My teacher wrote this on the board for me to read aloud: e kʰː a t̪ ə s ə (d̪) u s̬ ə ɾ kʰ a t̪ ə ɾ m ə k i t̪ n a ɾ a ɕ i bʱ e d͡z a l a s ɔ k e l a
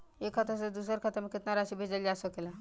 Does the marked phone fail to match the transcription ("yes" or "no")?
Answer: no